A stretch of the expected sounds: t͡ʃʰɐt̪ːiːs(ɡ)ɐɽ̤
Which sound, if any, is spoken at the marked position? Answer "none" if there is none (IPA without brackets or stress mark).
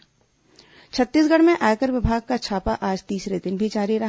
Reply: ɡ